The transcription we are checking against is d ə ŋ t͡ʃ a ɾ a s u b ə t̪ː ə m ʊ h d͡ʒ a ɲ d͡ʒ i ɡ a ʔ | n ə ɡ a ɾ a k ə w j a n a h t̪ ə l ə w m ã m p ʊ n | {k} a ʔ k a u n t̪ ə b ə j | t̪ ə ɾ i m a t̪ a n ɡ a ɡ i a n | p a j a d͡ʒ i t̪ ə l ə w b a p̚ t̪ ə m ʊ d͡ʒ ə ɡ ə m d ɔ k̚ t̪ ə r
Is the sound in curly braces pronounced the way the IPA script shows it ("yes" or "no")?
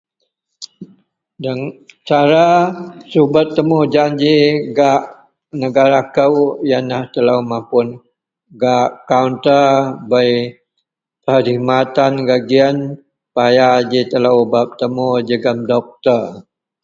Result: no